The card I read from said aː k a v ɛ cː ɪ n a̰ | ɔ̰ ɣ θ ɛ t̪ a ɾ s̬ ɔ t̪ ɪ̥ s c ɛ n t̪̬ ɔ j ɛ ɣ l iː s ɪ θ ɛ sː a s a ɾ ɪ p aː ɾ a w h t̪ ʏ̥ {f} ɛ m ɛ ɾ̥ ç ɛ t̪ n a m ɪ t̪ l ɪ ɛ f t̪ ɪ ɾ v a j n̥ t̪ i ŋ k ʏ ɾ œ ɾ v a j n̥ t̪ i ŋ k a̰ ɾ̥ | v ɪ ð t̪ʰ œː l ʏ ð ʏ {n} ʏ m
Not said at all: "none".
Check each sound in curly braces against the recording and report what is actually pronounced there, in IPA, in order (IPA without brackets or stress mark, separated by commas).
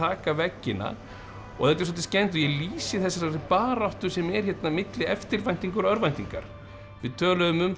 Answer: s, m